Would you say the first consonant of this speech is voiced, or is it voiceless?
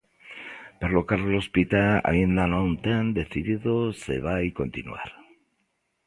voiceless